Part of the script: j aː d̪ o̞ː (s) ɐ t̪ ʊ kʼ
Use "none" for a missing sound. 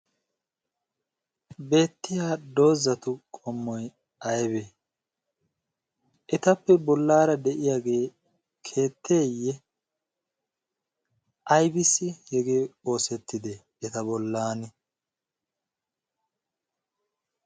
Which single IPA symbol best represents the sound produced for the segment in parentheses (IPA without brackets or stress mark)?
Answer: z